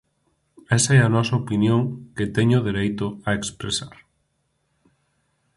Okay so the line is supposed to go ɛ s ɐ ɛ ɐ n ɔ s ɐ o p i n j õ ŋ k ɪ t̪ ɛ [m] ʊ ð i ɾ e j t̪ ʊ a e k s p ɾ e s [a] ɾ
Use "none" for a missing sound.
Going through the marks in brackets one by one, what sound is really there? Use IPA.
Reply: ɲ, a

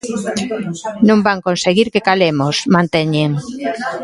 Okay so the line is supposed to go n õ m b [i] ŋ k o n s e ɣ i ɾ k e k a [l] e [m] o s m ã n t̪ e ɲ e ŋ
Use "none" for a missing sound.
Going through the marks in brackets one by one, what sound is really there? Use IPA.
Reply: a, l, m

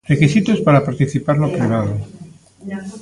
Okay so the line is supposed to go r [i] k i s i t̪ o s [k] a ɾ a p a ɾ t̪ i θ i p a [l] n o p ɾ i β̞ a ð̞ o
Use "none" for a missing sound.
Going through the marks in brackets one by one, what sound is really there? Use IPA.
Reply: e, p, ɾ

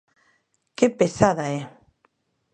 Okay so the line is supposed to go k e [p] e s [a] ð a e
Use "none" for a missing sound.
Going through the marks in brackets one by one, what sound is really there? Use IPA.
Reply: p, a

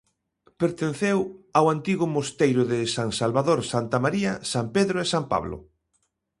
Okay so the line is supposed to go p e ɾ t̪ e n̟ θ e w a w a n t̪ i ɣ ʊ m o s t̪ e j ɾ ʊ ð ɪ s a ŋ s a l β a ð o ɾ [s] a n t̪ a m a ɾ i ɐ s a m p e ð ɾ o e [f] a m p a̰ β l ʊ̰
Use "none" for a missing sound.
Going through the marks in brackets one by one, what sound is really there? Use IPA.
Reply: s, s

